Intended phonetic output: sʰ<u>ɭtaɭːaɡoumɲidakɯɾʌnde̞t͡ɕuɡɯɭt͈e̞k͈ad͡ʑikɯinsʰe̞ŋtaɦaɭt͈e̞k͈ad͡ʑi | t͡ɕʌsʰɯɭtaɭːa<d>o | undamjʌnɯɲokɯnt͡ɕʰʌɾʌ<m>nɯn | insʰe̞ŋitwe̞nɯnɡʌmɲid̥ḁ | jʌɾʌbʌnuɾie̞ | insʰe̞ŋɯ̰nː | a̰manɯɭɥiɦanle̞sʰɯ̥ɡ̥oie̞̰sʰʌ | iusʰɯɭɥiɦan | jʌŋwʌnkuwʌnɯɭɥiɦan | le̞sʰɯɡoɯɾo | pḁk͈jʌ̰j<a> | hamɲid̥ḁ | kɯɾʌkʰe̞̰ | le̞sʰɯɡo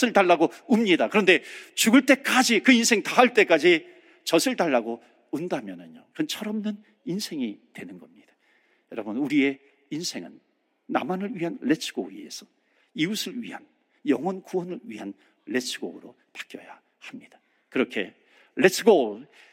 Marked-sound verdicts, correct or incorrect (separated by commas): incorrect, incorrect, correct, correct